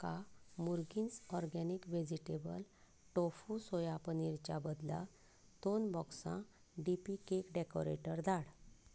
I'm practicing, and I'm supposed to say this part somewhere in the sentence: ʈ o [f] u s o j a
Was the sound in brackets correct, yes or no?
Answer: yes